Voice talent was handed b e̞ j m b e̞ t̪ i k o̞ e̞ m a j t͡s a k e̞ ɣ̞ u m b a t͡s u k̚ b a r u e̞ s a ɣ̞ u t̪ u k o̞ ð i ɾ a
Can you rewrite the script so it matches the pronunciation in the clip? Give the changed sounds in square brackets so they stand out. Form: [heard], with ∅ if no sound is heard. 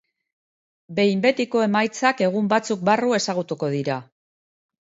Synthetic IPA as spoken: b e̞ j m b e̞ t̪ i k o̞ e̞ m a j t͡s a k e̞ ɣ̞ u m b a t͡s u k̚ b a r u e̞ s a ɣ̞ u t̪ u k o̞ ð i ɾ a